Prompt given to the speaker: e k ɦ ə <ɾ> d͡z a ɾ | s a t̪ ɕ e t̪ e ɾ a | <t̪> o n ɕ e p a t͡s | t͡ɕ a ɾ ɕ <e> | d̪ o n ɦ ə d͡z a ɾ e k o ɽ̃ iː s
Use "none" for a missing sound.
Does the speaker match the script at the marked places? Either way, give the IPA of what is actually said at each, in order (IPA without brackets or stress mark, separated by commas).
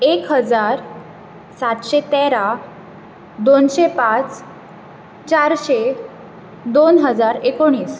none, d̪, e